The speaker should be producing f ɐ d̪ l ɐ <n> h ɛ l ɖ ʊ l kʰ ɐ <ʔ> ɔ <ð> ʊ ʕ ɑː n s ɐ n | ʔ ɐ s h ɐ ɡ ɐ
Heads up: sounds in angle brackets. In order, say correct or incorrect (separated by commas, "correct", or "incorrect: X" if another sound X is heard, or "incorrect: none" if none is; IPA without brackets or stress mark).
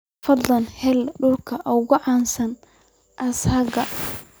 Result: correct, correct, incorrect: ɣ